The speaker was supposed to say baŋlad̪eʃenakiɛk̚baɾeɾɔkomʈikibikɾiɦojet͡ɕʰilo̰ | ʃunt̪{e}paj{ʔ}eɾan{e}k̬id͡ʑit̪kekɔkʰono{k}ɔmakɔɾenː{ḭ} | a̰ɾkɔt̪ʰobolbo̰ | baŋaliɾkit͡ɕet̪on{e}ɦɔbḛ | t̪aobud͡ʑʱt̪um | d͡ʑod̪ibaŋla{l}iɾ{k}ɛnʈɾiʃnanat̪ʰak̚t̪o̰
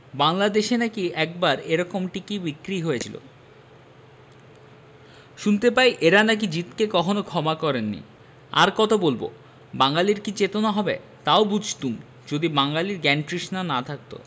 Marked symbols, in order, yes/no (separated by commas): yes, yes, no, no, yes, no, yes, no